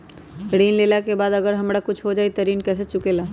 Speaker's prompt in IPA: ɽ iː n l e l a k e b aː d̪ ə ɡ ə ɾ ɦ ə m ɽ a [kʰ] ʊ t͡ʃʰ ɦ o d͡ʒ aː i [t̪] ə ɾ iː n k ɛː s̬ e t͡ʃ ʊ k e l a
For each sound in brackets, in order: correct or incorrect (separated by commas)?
incorrect, correct